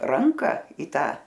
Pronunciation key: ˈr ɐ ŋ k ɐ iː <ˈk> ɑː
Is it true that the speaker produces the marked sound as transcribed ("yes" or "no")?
no